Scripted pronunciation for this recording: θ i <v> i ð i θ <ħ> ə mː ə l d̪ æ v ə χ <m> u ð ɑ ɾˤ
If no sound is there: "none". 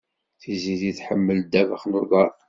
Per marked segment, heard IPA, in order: z, ħ, n

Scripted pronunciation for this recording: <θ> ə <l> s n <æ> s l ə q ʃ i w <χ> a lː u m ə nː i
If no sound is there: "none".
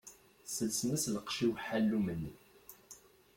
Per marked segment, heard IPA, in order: s, l, æ, ħ

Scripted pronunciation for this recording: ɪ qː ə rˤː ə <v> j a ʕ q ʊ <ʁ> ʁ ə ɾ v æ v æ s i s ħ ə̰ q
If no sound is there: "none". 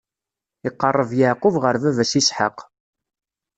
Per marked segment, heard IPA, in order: v, v

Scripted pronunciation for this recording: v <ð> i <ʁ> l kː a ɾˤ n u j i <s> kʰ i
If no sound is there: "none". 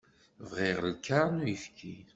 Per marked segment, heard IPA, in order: ʁ, ʁ, f

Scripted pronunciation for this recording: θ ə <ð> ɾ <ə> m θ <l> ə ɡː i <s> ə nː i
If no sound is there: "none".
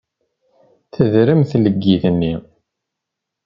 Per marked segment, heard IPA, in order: ð, ə, l, θ

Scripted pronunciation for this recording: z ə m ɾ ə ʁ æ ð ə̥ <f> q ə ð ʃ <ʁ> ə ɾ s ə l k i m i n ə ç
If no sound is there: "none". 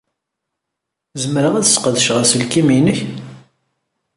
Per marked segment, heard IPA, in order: s, ʁ

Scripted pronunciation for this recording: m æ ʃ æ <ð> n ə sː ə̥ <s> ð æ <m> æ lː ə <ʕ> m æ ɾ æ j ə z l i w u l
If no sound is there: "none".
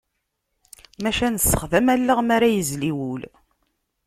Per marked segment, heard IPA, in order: none, χ, m, ʁ

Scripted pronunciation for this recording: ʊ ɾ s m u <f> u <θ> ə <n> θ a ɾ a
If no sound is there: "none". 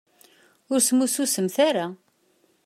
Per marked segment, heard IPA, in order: s, s, m

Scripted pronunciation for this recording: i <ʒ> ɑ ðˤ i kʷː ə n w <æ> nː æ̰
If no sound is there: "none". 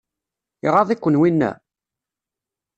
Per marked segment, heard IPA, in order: ʁ, i

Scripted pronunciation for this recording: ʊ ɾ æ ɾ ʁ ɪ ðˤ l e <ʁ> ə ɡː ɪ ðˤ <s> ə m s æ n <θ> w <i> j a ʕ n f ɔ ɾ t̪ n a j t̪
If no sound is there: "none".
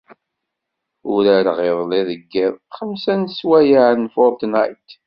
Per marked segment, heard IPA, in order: ð, χ, s, æ

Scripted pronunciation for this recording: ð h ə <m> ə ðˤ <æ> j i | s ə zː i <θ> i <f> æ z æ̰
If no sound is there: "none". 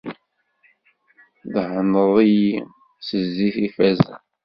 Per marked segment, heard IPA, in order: n, i, θ, f

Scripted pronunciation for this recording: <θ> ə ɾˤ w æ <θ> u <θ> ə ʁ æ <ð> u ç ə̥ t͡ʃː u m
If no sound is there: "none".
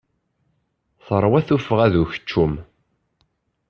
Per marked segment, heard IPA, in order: θ, θ, f, ð

